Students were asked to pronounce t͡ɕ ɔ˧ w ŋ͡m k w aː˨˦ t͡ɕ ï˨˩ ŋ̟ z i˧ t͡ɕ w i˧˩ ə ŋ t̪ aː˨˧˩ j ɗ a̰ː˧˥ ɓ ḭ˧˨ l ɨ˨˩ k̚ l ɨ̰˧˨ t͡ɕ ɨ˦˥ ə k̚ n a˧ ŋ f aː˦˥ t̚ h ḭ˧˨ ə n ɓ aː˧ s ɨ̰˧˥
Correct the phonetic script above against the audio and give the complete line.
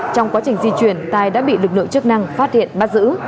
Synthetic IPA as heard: t͡ɕ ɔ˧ w ŋ͡m k w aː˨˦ t͡ɕ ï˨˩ ŋ̟ z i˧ t͡ɕ w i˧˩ ə n t̪ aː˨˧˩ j ɗ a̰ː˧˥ ɓ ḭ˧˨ l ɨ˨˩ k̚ l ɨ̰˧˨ t͡ɕ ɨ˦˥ ə k̚ n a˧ ŋ f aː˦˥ t̚ h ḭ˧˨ ə n ɓ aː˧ z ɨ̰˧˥